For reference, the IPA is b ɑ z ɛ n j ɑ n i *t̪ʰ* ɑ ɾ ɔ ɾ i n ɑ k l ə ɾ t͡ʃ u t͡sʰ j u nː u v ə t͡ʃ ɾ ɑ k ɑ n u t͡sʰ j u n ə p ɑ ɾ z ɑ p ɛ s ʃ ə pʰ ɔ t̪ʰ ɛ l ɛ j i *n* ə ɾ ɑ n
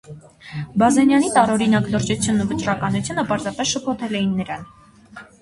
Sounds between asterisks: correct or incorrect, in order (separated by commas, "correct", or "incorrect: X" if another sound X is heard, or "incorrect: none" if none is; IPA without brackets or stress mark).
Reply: incorrect: t̪, incorrect: nː